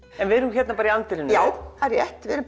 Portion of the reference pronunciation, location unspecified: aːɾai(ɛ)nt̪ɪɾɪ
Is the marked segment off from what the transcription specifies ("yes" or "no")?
yes